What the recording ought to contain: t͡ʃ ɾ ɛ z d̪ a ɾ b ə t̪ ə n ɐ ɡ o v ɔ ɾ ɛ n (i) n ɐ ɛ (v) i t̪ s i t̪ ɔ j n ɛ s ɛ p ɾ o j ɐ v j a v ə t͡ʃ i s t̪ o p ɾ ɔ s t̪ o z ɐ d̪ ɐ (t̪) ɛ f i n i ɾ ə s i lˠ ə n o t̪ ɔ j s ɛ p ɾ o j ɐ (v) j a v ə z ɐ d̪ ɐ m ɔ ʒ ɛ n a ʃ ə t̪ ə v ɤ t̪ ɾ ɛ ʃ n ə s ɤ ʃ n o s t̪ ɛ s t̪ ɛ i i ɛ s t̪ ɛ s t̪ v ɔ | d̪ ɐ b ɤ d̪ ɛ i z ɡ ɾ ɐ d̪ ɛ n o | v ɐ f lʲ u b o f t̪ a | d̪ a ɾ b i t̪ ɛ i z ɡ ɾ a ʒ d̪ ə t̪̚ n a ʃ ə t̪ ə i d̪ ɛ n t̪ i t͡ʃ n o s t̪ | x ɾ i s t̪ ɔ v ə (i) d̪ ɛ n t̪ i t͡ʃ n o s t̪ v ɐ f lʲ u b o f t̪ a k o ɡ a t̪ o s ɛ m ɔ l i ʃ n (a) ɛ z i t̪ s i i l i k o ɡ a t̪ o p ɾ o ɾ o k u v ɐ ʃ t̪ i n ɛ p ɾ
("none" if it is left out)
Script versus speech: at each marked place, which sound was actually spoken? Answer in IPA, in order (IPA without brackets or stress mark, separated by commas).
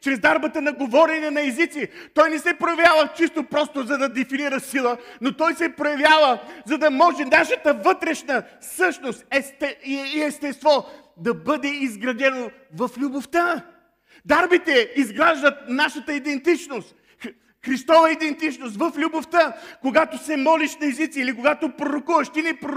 ɛ, z, d̪, v, i, ɐ